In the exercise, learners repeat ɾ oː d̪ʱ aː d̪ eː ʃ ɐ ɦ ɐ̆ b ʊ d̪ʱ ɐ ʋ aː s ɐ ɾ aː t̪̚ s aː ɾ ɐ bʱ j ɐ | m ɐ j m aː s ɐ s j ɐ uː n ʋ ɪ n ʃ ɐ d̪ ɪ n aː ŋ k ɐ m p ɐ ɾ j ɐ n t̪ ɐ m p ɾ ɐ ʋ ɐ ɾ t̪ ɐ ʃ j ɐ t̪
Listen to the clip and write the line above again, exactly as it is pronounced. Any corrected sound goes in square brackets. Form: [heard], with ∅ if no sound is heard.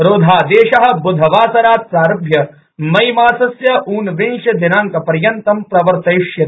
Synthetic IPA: ɾ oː d̪ʱ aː d̪ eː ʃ ɐ ɦ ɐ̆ b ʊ d̪ʱ ɐ ʋ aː s ɐ ɾ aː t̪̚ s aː ɾ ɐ bʱ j ɐ | m ɐ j m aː s ɐ s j ɐ uː n ʋ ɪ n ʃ ɐ d̪ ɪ n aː ŋ k ɐ [∅] p ɐ ɾ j ɐ n t̪ ɐ m p ɾ ɐ ʋ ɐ ɾ t̪ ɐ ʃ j ɐ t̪